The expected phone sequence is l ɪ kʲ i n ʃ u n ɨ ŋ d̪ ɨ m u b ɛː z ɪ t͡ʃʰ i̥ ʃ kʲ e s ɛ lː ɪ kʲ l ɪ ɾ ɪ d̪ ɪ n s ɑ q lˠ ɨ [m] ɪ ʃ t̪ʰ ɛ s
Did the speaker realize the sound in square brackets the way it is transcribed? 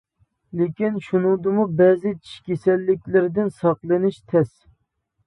no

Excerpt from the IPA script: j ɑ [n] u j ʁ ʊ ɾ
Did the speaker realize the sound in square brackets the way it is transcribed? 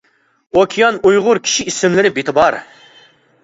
yes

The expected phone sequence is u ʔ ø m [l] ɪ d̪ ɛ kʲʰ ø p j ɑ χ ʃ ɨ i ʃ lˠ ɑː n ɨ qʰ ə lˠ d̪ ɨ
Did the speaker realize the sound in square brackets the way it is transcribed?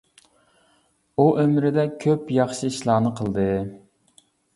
no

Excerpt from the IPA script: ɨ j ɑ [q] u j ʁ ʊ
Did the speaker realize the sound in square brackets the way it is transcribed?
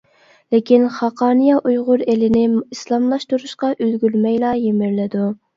no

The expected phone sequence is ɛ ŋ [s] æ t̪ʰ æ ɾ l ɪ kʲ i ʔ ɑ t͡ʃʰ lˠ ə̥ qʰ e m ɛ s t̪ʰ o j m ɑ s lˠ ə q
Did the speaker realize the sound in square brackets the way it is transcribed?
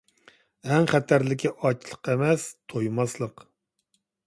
no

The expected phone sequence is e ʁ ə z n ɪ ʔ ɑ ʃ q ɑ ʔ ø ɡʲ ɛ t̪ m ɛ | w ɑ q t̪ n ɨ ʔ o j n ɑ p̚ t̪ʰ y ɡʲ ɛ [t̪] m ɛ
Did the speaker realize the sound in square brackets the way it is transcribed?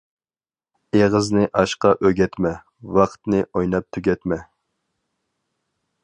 yes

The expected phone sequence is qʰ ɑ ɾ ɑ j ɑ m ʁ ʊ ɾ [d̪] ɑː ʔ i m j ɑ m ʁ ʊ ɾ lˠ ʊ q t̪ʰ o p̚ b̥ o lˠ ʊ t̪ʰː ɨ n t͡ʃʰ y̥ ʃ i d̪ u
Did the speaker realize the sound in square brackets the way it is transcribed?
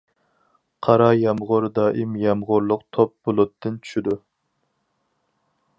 yes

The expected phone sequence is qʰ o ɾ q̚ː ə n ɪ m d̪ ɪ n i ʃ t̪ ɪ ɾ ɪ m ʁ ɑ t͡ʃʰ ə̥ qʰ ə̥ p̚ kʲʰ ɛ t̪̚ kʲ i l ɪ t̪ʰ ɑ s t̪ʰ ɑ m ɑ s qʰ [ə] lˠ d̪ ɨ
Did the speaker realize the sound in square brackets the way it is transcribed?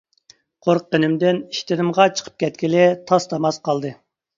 no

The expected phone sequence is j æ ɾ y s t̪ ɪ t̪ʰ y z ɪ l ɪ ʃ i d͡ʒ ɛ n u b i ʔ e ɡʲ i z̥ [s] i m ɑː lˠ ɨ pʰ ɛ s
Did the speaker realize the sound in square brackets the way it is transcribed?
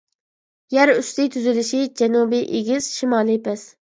no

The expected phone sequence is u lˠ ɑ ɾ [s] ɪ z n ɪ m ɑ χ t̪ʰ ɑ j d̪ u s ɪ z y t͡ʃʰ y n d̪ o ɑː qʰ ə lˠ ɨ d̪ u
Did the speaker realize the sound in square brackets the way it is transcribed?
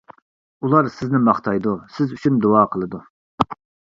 yes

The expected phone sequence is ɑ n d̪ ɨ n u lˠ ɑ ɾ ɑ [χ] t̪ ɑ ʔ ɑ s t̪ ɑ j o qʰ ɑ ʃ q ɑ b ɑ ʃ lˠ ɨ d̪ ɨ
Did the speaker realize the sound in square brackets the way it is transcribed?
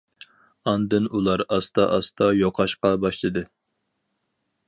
no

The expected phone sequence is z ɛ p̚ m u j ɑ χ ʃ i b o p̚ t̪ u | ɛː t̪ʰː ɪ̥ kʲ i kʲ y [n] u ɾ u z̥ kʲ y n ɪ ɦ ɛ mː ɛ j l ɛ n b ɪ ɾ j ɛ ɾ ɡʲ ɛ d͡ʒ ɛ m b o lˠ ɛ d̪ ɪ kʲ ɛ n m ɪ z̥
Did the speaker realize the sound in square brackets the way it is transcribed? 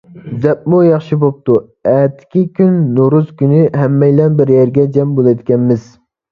no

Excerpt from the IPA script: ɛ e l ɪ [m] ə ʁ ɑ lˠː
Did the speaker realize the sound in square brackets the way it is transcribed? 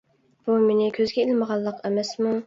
yes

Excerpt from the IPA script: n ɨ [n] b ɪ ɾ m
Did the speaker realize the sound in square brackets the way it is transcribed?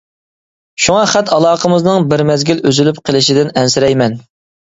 no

